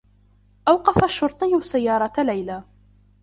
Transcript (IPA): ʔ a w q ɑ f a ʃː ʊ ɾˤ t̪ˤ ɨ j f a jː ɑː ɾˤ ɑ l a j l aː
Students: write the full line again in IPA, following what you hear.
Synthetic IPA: ʔ a w q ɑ f a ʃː ʊ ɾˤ t̪ˤ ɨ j s a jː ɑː ɾˤ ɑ l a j l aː